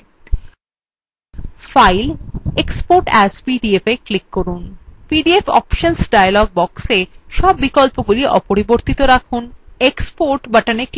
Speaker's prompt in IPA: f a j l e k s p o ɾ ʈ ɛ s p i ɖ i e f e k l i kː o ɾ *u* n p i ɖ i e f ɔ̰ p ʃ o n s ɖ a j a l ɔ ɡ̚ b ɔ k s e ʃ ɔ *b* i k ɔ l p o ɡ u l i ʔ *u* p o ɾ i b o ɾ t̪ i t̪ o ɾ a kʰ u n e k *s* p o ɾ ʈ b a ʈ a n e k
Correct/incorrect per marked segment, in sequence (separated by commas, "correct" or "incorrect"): correct, incorrect, incorrect, correct